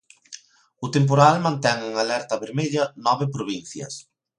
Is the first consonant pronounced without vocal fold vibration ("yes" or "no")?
yes